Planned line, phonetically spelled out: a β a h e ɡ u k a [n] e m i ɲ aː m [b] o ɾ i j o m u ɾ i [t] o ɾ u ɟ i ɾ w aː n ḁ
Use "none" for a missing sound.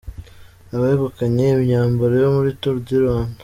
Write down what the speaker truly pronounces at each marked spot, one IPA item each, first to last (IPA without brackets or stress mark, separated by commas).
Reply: ɲ, b, t